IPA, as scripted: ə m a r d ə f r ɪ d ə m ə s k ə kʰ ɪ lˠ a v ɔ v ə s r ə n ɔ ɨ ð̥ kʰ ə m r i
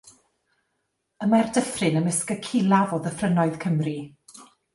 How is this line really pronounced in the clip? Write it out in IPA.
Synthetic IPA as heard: ə m a r d ə f r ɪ n ə m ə s k ə kʰ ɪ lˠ a v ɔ ð ə f r ə n ɔ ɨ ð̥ kʰ ə m r i